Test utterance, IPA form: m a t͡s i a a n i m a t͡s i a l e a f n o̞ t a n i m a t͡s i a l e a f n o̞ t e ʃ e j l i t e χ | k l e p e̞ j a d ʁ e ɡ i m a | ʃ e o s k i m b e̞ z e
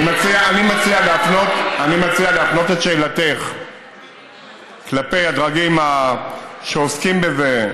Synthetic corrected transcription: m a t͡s i a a n i m a t͡s i a l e a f n o̞ t a n i m a t͡s i a l e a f n o̞ t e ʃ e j l a t e χ | k l a p e̞ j a d ʁ a ɡ i m a | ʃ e o s k i m b e̞ z e